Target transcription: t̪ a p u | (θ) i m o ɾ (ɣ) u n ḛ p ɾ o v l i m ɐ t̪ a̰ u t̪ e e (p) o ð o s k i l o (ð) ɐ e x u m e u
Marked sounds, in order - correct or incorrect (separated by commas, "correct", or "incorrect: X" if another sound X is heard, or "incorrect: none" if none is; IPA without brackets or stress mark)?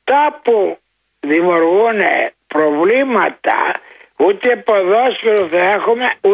incorrect: ð, correct, correct, incorrect: θ